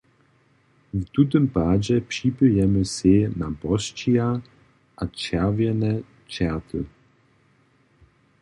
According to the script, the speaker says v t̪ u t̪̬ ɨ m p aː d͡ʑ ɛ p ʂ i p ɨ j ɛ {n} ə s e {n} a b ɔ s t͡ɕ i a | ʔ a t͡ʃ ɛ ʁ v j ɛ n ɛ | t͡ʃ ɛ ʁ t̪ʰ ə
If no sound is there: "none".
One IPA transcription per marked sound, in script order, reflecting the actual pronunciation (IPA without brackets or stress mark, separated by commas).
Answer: m, n